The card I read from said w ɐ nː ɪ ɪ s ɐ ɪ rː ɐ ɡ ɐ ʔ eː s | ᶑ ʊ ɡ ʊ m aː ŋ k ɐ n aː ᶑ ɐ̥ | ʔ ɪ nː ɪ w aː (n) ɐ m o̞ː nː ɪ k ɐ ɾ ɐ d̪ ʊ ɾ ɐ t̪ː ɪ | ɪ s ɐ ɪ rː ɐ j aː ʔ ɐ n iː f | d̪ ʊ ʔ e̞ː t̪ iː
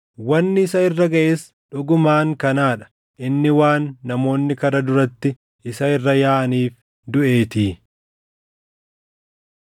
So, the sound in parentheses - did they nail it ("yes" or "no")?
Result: no